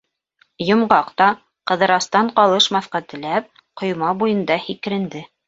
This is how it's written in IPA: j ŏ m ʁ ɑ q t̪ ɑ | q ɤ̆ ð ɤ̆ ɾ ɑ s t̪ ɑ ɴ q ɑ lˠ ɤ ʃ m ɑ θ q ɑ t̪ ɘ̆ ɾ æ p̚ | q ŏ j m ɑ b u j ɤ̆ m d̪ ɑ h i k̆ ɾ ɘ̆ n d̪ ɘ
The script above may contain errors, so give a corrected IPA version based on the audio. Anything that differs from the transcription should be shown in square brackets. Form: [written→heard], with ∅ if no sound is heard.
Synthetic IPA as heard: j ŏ m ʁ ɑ q t̪ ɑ | q ɤ̆ ð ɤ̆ ɾ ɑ s t̪ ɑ ɴ q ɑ lˠ ɤ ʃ m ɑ θ q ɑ t̪ ɘ̆ [ɾ→l] æ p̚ | q ŏ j m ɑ b u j ɤ̆ [m→n] d̪ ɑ h i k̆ ɾ ɘ̆ n d̪ ɘ